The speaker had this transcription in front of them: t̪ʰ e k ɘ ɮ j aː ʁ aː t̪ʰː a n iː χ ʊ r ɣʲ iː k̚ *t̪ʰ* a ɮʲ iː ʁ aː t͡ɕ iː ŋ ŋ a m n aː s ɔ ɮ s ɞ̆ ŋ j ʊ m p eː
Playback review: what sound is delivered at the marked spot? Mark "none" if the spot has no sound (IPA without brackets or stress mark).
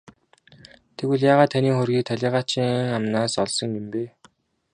t̪ʰ